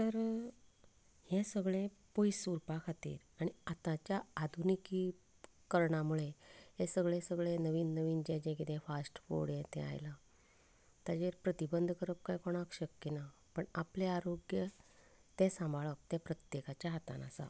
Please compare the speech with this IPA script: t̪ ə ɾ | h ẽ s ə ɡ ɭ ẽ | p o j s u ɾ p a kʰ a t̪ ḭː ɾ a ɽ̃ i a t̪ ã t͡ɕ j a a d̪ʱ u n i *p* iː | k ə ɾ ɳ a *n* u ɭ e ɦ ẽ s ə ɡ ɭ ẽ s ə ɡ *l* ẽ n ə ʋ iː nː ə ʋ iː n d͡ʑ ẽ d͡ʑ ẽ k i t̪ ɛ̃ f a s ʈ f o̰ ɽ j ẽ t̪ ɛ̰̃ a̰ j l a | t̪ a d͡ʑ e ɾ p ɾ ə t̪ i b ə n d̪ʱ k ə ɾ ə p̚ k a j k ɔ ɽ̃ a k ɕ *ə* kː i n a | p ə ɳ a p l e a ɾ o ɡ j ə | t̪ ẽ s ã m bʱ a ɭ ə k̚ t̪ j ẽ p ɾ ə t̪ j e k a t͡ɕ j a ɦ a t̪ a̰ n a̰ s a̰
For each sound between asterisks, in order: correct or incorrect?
incorrect: k, incorrect: m, incorrect: ɭ, correct

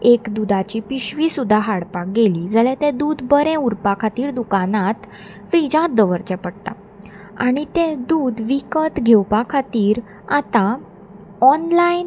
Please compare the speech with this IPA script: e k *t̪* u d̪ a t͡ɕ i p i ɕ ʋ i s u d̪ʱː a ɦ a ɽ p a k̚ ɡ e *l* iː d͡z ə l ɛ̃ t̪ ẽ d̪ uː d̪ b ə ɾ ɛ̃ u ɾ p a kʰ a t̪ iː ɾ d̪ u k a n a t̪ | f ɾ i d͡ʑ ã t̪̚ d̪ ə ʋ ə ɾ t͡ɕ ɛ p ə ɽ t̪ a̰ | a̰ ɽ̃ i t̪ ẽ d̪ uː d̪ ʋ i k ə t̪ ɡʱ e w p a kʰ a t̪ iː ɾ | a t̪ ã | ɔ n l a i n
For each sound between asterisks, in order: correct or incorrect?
incorrect: d̪, correct

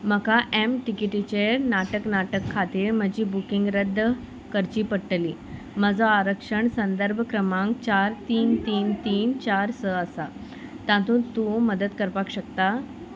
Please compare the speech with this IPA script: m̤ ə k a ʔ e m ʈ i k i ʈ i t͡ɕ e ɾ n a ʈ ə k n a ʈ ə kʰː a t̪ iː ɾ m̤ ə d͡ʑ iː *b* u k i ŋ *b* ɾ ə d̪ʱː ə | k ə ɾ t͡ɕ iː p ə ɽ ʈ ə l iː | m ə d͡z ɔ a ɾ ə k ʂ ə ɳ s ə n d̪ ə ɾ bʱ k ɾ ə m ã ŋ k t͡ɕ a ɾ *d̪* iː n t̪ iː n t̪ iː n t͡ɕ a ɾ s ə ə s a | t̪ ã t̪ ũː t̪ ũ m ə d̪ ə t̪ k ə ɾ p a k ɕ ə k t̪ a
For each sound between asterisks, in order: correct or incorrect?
correct, incorrect: ɡ, incorrect: t̪

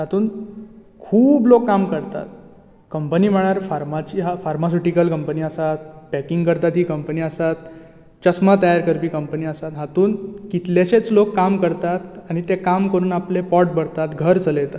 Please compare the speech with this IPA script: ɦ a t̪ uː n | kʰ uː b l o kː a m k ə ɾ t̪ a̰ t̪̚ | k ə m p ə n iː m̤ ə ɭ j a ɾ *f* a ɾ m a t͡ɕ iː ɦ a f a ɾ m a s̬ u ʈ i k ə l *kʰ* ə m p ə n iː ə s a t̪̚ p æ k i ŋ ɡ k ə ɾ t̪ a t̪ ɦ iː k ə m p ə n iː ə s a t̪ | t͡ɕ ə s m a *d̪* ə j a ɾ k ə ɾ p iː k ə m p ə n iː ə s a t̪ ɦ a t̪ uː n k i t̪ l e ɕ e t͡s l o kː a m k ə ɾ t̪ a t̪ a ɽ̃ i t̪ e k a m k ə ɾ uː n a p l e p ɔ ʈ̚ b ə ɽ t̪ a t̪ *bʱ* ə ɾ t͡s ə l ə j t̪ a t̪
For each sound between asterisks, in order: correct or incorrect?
correct, incorrect: k, incorrect: t̪, incorrect: ɡʱ

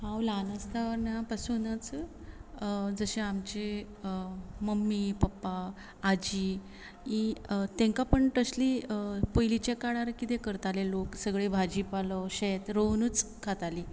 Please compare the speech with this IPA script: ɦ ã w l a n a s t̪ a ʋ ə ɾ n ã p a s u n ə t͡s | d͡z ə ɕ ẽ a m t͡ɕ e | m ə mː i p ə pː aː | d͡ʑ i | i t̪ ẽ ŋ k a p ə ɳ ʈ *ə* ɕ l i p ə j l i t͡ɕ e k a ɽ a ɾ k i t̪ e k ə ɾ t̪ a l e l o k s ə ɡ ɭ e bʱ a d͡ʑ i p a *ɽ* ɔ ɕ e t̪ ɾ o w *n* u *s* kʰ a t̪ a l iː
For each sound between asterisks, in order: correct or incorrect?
correct, incorrect: l, correct, incorrect: t͡s

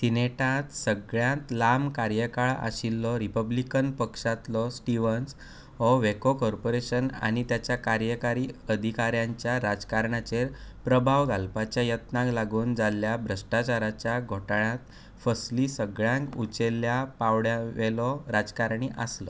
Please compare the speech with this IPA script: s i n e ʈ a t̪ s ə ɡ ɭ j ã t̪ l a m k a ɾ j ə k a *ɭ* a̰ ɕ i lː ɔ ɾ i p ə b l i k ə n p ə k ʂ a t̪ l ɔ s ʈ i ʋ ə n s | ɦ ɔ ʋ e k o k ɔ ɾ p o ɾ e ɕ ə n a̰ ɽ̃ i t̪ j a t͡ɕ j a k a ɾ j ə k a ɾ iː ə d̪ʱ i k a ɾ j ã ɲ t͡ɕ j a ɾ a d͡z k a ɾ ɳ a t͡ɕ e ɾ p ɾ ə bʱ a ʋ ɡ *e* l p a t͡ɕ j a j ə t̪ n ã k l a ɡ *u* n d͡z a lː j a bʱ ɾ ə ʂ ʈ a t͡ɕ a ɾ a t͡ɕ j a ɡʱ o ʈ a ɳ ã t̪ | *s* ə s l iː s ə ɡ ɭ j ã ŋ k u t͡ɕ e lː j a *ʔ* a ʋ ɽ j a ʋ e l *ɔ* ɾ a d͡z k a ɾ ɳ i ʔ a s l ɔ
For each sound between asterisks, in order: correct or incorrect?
correct, incorrect: a, incorrect: uː, incorrect: f, incorrect: p, correct

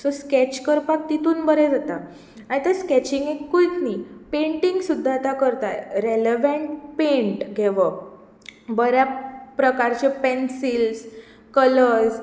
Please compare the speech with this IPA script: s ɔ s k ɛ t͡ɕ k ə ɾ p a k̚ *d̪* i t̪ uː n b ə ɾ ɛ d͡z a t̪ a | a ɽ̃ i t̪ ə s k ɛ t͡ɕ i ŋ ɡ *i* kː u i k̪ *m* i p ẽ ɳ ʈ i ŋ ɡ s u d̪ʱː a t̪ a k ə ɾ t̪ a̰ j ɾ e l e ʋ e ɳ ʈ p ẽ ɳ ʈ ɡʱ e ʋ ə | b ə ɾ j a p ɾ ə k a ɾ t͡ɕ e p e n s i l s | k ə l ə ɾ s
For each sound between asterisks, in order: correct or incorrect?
incorrect: t̪, incorrect: e, incorrect: n

